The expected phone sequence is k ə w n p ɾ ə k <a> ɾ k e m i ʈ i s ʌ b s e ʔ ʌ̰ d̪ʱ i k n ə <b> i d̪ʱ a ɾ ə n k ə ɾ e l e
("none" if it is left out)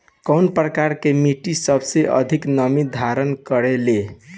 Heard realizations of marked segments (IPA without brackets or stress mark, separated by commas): a, m